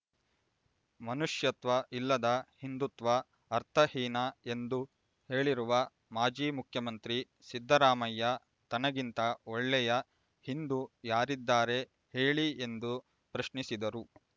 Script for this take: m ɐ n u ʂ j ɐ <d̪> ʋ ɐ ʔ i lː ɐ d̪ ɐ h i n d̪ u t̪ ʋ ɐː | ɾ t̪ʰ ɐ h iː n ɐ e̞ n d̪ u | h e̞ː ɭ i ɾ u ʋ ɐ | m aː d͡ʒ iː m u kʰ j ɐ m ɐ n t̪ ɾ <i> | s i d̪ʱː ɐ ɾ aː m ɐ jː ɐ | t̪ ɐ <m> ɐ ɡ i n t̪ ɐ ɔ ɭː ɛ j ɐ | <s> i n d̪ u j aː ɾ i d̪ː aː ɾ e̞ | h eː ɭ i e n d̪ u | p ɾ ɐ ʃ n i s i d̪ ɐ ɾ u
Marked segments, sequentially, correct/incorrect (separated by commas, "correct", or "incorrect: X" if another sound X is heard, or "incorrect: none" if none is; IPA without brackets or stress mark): incorrect: t̪, correct, incorrect: n, incorrect: h